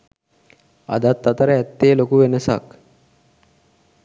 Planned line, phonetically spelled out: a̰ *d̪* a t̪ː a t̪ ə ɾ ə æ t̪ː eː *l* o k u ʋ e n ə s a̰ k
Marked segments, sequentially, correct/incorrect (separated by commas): correct, correct